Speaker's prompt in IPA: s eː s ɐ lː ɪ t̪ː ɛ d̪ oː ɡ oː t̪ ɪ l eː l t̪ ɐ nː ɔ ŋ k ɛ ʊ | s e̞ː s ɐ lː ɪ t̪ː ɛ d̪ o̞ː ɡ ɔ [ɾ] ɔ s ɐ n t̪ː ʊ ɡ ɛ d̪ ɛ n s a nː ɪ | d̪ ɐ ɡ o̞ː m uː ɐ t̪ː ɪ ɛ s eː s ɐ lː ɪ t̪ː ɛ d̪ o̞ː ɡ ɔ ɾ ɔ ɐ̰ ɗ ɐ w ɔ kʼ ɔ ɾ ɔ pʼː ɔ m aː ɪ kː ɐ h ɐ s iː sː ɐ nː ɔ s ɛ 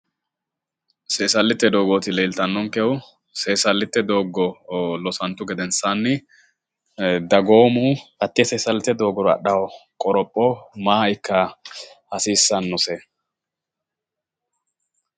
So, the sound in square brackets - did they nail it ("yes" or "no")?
no